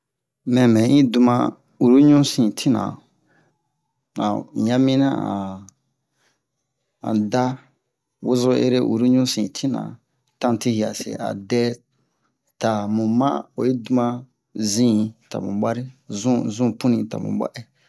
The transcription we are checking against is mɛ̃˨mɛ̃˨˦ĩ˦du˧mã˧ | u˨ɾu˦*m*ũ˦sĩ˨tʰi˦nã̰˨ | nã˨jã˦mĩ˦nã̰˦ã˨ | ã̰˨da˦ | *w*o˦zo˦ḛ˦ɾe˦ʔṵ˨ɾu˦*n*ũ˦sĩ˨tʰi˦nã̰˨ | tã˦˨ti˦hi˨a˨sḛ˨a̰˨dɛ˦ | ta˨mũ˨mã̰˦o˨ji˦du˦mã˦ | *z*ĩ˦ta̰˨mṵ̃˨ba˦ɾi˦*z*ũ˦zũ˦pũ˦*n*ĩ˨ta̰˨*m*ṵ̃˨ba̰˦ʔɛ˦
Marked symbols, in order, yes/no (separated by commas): no, yes, no, yes, yes, yes, yes